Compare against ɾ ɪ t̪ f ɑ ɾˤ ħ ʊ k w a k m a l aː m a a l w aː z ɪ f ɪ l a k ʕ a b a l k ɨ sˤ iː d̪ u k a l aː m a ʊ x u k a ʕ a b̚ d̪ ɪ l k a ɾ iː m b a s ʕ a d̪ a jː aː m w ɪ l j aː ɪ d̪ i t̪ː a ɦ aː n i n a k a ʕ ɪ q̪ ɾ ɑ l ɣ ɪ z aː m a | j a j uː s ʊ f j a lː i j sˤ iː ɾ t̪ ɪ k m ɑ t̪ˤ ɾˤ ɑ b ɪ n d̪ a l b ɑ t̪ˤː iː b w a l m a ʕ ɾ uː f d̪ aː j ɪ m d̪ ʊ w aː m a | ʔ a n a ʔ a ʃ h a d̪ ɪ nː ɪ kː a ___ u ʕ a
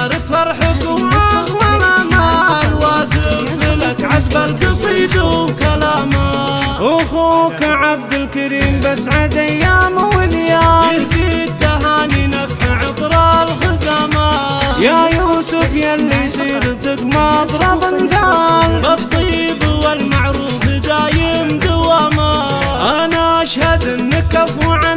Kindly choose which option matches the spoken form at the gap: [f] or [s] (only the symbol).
f